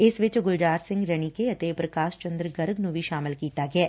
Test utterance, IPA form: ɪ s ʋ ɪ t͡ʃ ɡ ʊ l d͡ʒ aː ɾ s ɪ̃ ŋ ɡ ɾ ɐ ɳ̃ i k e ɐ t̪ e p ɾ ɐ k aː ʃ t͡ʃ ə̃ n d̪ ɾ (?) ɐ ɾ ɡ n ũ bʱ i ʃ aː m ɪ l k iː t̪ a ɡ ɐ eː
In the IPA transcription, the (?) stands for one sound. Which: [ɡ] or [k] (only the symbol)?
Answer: ɡ